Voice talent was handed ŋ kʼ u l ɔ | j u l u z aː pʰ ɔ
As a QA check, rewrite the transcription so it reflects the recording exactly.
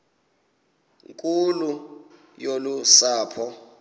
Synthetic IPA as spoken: ŋ kʼ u l u | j o l u s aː pʰ ɔ